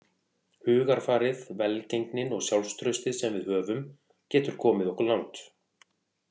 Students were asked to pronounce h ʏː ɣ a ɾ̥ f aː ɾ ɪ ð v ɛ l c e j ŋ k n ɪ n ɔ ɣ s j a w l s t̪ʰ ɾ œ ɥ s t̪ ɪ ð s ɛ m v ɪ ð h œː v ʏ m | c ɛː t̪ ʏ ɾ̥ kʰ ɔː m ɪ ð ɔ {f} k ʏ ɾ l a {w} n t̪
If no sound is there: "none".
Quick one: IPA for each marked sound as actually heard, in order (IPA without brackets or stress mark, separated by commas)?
h, w